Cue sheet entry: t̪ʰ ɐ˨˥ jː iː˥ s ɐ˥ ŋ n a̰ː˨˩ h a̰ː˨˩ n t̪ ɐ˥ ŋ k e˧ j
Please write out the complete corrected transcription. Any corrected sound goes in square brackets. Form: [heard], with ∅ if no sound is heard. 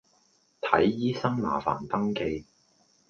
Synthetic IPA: t̪ʰ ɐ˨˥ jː iː˥ s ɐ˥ ŋ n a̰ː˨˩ [f] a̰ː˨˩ n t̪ ɐ˥ ŋ k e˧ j